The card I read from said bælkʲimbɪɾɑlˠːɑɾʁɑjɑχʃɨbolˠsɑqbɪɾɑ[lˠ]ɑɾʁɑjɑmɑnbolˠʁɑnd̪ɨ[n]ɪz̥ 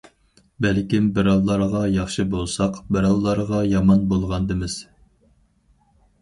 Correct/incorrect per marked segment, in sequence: incorrect: lˠː, incorrect: m

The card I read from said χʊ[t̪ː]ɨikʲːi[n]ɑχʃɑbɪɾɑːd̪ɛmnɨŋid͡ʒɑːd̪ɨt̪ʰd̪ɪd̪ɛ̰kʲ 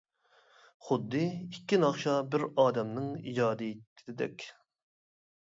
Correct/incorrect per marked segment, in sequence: incorrect: d̪ː, correct

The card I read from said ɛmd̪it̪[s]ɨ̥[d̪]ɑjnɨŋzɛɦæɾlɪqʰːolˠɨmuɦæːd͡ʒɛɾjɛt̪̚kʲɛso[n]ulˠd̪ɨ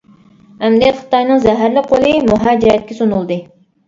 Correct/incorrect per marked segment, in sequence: incorrect: χ, incorrect: t̪, correct

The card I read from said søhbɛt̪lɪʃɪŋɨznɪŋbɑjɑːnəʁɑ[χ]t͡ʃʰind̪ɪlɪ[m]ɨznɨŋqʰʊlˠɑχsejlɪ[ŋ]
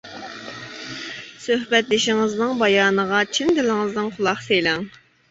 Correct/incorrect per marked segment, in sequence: incorrect: none, incorrect: ŋ, correct

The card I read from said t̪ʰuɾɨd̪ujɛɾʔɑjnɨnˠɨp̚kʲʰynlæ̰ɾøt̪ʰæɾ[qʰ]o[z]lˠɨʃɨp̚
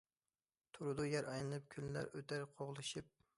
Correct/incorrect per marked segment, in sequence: correct, incorrect: ʁ

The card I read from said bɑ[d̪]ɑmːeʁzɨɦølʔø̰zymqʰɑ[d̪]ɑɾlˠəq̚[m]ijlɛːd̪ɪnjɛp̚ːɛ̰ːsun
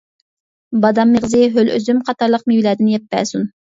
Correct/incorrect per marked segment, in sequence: correct, incorrect: t̪, correct

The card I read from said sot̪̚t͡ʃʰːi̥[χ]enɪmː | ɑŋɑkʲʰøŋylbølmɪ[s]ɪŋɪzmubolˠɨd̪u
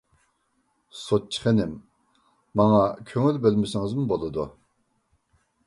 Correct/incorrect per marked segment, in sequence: correct, correct

